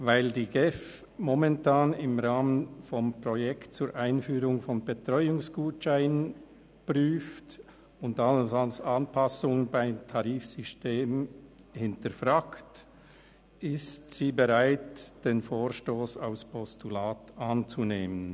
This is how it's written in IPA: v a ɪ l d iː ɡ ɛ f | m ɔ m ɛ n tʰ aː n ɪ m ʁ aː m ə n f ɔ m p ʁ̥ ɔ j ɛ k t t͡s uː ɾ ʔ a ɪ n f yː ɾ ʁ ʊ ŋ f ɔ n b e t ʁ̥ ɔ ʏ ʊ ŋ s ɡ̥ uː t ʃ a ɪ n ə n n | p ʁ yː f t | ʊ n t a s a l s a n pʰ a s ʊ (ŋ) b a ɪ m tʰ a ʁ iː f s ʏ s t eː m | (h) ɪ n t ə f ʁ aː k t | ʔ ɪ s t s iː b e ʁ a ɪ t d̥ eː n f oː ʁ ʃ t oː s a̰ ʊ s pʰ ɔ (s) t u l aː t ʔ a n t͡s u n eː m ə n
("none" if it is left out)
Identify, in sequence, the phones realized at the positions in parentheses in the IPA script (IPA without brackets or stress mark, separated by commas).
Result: ŋ, h, s